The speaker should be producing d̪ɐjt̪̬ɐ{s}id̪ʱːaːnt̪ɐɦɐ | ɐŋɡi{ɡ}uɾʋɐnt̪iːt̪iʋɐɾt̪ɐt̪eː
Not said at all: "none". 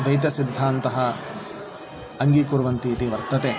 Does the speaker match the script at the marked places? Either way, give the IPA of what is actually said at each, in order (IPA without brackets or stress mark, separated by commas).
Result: s, k